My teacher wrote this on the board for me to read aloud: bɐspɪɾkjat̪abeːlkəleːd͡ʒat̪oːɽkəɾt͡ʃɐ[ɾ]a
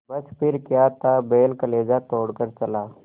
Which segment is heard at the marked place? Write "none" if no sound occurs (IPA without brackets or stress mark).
l